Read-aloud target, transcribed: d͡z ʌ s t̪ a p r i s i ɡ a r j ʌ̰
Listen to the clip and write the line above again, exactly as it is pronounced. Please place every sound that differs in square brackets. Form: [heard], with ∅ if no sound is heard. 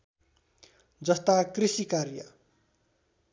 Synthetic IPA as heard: d͡z ʌ s t̪ a [k] r i s i [k] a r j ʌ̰